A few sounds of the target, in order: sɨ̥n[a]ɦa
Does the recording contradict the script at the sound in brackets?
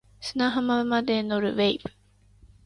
no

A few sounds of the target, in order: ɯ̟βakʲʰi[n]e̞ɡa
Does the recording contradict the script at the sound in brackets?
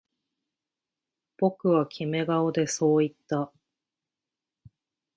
yes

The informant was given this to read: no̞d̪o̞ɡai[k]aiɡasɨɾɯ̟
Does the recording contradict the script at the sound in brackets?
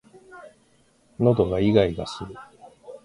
yes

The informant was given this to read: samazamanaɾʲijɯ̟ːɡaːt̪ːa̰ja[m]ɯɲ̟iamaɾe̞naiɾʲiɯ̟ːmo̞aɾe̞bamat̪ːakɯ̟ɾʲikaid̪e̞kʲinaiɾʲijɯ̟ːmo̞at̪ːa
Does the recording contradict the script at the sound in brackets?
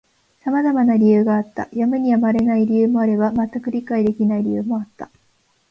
no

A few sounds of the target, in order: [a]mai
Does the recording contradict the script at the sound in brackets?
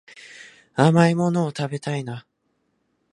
no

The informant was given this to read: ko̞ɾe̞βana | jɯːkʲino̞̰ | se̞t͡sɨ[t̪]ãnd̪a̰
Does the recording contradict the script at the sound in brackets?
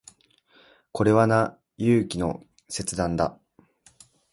yes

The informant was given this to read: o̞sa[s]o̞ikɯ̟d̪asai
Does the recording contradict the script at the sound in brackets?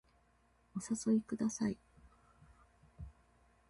no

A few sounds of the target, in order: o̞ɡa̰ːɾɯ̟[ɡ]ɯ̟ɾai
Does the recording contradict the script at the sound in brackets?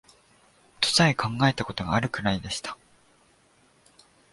yes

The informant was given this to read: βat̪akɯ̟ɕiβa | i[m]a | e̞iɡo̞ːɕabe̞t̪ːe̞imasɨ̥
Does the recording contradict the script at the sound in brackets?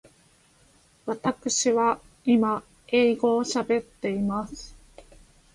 no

